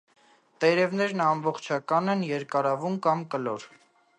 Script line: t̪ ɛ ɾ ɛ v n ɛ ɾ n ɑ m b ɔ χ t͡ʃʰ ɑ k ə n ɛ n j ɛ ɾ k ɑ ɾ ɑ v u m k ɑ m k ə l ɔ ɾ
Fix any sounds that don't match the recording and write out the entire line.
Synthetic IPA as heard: t̪ ɛ ɾ ɛ v n ɛ ɾ n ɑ m b ɔ χ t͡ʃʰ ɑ k ɑ n ɛ n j ɛ ɾ k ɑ ɾ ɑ v u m k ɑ m k ə l ɔ ɾ

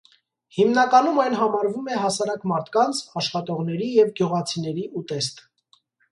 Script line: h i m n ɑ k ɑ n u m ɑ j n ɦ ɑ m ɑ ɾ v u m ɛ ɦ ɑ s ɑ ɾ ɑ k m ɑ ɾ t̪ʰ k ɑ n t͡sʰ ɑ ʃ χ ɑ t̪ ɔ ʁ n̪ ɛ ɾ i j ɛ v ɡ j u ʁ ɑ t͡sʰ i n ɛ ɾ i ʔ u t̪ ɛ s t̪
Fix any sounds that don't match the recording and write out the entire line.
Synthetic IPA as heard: h i m n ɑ k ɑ n u m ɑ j n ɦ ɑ m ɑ ɾ v u m ɛ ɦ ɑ s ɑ ɾ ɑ k m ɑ ɾ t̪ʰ k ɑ n t͡sʰ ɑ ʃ χ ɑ t̪ ɔ ʁ n̪ ɛ ɾ i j ɛ v ɡ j u ʁ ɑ t͡sʰ i n ɛ ɾ i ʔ u t̪ ɛ s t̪

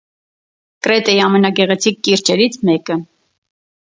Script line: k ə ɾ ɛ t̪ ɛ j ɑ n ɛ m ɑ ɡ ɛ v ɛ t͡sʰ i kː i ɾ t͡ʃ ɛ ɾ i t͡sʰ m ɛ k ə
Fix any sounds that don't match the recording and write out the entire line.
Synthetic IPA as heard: k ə ɾ ɛ t̪ ɛ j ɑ m ɛ n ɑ ɡ ɛ ʁ ɛ t͡sʰ i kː i ɾ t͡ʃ ɛ ɾ i t͡sʰ m ɛ k ə

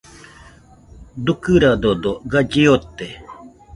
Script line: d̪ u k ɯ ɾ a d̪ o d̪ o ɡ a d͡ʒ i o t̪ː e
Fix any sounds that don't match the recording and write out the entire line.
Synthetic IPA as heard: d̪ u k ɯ ɾ a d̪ o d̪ o ɡ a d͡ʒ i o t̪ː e

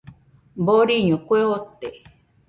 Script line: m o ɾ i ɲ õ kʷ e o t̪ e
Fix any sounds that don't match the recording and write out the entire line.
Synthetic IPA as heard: b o ɾ i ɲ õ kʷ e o t̪ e

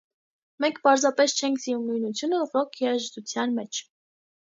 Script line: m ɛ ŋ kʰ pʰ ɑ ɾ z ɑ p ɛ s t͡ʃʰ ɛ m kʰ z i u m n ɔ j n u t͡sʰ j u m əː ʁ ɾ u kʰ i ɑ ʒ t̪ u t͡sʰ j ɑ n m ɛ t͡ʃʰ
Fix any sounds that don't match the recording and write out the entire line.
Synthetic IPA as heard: m ɛ ŋ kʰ p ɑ ɾ z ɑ p ɛ s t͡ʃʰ ɛ ŋ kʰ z i u m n u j n u t͡sʰ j u n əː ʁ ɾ ɔ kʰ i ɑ ʒ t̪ u t͡sʰ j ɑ n m ɛ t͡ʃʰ

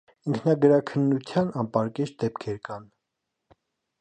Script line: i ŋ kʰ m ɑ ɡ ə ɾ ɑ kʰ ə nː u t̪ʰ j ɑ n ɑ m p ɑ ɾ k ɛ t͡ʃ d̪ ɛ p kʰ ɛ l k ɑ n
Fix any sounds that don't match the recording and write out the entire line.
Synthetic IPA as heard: i ŋ kʰ n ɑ ɡ ə ɾ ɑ kʰ ə nː u t̪ʰ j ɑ n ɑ m p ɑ ɾ k ɛ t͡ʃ d̪ ɛ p kʰ ɛ ɾ k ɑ n

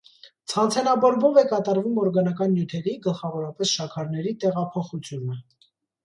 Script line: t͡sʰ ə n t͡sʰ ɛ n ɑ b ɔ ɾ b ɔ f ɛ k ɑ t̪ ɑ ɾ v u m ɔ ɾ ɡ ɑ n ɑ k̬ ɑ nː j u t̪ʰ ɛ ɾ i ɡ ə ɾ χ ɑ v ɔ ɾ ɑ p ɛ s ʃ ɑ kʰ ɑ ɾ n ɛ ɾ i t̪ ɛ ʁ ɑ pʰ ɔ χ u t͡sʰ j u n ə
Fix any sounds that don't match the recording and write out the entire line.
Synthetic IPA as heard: t͡sʰ ɑ n t͡sʰ ɛ n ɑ b ɔ ɾ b ɔ v ɛ k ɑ t̪ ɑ ɾ v u m ɔ ɾ ɡ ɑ n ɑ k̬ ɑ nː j u t̪ʰ ɛ ɾ i ɡ ə l χ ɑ v ɔ ɾ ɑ p ɛ s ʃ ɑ kʰ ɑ ɾ n ɛ ɾ i t̪ ɛ ʁ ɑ pʰ ɔ χ u t͡sʰ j u n ə

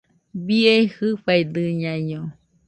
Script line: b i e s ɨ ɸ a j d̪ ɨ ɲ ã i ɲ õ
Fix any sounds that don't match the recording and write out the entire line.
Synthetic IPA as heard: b i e h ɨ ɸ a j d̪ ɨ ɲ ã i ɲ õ

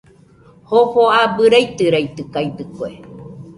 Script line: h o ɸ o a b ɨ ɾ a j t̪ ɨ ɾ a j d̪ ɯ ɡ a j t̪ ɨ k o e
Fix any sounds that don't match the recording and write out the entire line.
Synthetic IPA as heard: h o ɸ o a b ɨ ɾ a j t̪ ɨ ɾ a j t̪ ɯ k a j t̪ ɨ k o e

